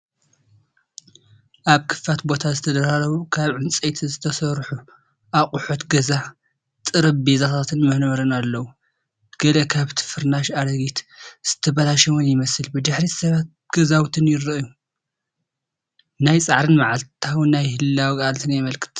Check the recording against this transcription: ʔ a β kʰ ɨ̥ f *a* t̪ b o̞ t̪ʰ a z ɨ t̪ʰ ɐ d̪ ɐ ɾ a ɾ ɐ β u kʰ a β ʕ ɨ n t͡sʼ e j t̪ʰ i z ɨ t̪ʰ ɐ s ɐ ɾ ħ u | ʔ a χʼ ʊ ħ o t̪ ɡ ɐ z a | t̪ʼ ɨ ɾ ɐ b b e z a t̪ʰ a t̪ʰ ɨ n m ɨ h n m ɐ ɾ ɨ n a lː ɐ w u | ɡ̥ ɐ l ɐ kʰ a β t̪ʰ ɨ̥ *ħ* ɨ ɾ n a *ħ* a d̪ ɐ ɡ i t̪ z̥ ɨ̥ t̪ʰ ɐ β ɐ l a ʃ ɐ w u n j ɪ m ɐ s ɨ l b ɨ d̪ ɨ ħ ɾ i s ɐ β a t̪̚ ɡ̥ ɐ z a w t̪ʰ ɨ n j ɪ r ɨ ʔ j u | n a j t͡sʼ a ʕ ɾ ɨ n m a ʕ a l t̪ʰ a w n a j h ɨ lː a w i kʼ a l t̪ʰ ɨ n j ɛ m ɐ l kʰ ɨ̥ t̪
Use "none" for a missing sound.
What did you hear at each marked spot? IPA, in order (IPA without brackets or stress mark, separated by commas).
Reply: a, f, ʃ